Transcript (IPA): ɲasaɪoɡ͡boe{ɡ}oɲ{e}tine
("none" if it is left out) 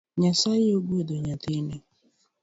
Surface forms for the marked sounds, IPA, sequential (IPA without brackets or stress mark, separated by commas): d, a